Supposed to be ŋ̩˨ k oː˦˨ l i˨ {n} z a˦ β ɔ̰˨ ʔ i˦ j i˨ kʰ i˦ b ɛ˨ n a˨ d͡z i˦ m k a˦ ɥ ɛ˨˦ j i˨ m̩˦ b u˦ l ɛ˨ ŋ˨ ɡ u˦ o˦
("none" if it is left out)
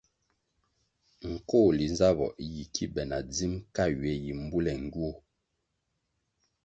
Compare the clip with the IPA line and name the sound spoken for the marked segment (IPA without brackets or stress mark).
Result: n